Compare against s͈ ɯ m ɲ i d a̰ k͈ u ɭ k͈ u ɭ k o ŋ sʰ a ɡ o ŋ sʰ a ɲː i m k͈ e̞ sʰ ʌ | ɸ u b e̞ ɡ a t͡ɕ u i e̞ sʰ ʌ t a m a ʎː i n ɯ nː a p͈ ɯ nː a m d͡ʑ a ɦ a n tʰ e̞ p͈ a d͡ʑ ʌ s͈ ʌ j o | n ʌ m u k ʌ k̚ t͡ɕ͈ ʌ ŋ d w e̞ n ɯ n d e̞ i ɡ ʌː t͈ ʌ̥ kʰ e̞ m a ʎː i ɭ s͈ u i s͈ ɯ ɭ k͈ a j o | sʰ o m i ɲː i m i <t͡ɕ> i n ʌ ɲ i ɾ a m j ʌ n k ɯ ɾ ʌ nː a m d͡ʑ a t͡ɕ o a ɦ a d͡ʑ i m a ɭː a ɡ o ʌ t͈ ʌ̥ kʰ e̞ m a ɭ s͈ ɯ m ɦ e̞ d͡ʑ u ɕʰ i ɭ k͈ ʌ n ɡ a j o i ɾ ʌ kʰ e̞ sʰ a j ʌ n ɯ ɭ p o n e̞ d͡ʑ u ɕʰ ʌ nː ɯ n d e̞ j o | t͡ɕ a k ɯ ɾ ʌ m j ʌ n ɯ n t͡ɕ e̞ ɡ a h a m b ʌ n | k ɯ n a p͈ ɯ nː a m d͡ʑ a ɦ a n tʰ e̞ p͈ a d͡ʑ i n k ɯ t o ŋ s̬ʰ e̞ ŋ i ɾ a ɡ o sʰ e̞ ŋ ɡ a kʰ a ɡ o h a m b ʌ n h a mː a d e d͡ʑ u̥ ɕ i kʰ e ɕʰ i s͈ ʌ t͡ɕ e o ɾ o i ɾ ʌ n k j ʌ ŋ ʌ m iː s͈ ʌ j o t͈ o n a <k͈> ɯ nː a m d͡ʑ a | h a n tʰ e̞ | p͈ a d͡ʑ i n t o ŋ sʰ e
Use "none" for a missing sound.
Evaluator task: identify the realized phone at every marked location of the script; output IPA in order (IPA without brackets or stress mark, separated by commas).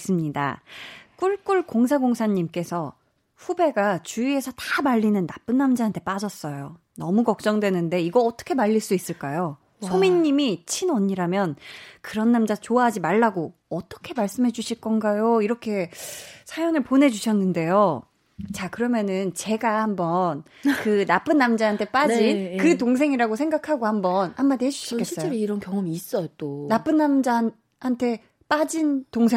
t͡ɕʰ, p͈